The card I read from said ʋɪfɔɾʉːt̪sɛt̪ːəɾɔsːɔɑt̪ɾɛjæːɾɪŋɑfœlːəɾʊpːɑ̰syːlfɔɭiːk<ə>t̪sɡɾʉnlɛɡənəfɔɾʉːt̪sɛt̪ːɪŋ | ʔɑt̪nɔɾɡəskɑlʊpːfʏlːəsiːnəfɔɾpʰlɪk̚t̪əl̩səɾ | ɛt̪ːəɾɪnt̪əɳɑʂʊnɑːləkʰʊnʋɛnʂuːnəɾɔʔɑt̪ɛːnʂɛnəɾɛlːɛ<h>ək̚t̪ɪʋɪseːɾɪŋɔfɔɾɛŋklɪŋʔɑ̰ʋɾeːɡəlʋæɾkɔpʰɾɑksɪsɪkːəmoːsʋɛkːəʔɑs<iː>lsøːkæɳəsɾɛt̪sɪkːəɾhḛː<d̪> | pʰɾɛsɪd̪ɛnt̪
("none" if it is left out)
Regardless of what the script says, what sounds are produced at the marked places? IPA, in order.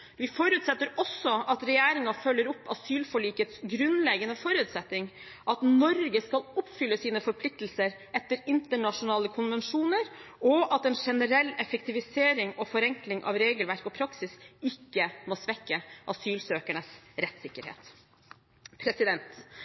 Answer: ə, f, yː, t̪

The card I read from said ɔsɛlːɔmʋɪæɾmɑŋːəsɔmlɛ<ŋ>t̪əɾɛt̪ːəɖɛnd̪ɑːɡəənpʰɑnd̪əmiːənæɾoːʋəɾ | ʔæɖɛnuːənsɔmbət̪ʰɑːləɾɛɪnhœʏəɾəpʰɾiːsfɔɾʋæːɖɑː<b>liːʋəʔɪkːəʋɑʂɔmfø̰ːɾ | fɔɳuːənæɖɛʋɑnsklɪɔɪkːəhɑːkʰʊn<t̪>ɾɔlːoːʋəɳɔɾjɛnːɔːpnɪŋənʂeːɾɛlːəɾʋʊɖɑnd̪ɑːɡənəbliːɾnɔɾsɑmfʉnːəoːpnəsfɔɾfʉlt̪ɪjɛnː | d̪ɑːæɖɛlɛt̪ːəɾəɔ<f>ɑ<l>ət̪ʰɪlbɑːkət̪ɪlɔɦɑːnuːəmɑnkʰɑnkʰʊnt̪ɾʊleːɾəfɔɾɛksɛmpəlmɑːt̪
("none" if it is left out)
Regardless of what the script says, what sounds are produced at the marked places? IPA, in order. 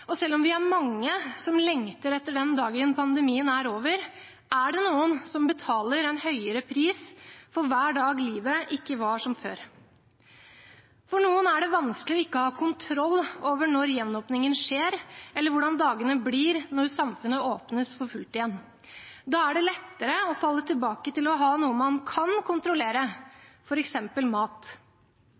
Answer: ŋ, ɡ, t̪ʰ, f, lː

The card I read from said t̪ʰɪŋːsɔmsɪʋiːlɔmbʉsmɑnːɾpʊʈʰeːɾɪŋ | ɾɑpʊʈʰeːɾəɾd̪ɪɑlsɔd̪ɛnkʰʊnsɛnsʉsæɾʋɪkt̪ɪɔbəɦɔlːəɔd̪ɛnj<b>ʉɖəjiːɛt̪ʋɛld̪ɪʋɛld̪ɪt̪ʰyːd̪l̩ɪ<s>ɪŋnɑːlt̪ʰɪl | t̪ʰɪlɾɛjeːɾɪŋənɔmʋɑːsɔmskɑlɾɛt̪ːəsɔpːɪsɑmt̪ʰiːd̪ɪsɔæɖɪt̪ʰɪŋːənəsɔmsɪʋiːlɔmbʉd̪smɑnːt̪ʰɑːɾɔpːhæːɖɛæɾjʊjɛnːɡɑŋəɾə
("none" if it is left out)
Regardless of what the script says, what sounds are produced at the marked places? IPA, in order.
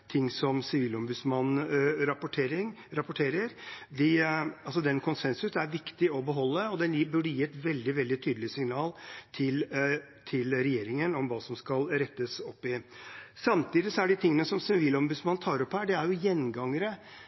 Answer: b, s

